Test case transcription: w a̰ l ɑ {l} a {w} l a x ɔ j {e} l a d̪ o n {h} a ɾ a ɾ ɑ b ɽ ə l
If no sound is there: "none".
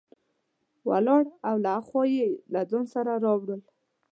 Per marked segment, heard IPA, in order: ɽ, w, e, s

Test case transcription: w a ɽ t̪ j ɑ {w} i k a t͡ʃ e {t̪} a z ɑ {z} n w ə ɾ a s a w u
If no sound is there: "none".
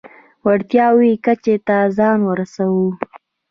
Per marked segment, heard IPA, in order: w, t̪, none

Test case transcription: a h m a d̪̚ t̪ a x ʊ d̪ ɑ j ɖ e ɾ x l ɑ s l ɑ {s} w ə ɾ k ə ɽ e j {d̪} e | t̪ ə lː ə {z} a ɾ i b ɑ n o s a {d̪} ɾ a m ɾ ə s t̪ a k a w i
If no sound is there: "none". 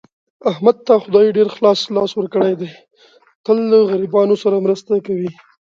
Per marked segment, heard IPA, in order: s, d̪, ɣ, none

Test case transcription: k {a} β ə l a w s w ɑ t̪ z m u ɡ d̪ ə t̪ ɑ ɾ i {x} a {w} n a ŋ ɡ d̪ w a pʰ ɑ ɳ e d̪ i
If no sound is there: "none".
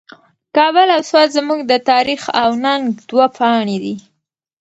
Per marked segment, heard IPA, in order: ɑ, x, w

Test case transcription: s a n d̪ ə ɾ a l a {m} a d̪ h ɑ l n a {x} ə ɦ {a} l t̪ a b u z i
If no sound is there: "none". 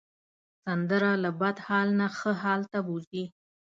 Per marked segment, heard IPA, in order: b, x, ɑ

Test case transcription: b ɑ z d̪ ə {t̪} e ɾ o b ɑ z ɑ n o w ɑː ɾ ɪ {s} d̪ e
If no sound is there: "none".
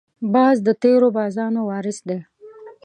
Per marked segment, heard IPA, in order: t̪, s

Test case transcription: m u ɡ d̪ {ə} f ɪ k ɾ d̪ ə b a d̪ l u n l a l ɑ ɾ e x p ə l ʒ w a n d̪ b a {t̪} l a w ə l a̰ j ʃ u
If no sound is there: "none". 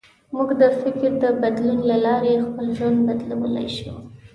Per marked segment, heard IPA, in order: ə, d̪

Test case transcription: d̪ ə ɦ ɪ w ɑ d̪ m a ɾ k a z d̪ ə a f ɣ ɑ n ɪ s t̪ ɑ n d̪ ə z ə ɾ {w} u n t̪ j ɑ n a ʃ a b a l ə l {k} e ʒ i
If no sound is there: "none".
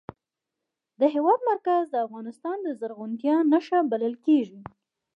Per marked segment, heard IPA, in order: ɣ, k

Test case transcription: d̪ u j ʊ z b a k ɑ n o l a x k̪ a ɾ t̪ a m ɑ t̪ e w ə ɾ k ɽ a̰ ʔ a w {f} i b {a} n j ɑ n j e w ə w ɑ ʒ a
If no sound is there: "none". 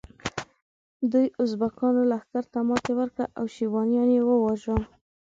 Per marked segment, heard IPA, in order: ʃ, ɑ

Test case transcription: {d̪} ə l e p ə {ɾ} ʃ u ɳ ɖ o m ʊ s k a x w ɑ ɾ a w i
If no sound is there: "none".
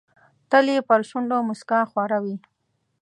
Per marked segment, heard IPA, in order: t̪, ɾ

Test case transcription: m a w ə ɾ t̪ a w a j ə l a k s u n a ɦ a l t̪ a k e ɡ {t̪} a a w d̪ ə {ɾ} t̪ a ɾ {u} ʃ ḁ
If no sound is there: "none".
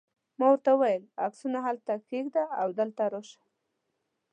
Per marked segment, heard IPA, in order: d̪, l, o

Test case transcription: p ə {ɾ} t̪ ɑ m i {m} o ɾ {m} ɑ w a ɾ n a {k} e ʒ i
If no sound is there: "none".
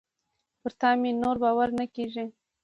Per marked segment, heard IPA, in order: ɾ, n, b, k

